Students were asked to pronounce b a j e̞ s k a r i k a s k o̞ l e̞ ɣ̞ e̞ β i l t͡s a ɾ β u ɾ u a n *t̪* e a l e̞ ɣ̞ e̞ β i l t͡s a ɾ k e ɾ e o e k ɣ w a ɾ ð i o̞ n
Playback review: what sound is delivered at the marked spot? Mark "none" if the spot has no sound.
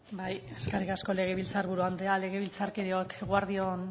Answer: d̪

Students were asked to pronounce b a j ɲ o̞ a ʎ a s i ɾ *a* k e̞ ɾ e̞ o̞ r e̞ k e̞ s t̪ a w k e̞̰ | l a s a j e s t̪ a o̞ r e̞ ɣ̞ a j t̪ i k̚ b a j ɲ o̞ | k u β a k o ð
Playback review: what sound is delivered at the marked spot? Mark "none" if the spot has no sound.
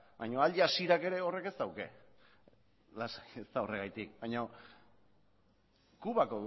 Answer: a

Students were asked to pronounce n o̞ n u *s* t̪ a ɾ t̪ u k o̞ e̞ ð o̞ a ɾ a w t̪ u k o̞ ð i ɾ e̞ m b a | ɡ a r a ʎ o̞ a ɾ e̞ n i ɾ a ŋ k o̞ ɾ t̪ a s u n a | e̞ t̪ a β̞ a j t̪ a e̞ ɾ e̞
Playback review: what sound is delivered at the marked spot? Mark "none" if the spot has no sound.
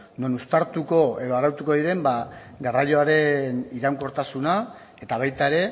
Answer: s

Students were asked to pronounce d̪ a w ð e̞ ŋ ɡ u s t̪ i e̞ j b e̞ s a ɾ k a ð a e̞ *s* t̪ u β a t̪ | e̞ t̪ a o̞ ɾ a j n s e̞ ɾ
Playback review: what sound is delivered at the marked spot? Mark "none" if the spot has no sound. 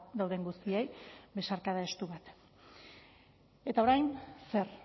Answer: s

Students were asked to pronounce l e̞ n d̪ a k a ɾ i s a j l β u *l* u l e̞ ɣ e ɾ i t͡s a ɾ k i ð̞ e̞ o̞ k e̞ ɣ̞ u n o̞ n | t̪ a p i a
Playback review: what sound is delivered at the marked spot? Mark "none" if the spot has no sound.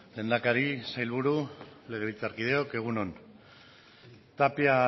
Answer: ɾ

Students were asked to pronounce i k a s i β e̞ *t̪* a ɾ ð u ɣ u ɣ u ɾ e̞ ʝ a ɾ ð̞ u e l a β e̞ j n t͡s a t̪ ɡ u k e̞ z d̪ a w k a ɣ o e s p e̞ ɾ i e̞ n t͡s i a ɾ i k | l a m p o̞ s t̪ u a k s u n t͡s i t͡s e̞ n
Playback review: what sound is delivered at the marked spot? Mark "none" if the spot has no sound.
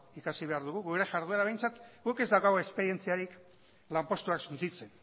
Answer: none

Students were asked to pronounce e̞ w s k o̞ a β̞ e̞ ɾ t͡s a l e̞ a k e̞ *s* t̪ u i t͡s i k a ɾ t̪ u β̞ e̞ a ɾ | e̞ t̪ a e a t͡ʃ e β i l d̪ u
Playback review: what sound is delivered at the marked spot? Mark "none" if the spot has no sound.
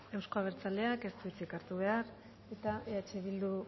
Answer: s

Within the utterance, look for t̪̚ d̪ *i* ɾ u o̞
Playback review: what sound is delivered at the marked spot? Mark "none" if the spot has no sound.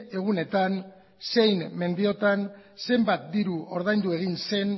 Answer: i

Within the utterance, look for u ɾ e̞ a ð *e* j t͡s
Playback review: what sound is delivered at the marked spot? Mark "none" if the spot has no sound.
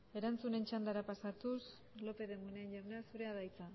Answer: a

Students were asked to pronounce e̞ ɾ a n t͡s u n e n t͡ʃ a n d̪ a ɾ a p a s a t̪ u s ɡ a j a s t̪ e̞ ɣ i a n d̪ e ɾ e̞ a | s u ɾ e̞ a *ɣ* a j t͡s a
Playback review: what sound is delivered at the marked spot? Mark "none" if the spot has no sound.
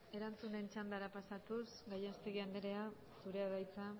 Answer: ð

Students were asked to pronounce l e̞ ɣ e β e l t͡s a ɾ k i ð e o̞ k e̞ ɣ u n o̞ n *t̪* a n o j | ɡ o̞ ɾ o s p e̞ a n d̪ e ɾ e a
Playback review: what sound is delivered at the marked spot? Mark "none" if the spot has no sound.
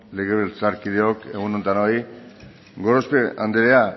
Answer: t̪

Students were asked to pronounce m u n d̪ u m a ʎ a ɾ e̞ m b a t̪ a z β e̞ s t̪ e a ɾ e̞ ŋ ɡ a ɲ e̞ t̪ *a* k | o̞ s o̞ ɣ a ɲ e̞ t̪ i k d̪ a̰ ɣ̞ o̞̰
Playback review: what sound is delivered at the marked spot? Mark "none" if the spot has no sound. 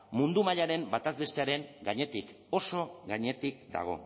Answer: i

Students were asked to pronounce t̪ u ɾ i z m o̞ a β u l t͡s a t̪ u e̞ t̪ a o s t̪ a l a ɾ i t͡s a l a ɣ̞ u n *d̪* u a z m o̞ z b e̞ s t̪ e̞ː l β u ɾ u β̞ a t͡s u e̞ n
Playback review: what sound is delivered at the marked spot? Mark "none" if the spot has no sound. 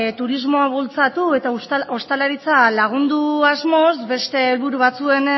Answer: d̪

